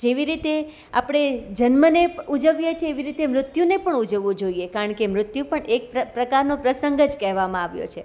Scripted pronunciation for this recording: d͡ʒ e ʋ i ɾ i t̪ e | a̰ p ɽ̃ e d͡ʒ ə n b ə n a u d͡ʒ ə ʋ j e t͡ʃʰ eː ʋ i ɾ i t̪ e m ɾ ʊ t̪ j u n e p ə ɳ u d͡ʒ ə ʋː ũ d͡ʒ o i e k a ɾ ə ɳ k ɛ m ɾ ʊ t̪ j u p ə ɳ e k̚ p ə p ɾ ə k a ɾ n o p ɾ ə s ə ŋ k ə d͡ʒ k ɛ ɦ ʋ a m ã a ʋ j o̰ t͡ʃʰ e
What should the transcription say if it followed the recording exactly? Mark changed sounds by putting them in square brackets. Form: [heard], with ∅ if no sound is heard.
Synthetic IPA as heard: d͡ʒ e ʋ i ɾ i t̪ e | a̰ p ɽ̃ e d͡ʒ ə n [m] ə n [e] u d͡ʒ ə ʋ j e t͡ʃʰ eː ʋ i ɾ i t̪ e m ɾ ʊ t̪ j u n e p ə ɳ u d͡ʒ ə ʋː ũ d͡ʒ o i e k a ɾ ə ɳ k [e] m ɾ ʊ t̪ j u p ə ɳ e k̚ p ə p ɾ ə k a ɾ n o p ɾ ə s ə ŋ [ɡ] ə d͡ʒ k ɛ ɦ ʋ a m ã a ʋ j o̰ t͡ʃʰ e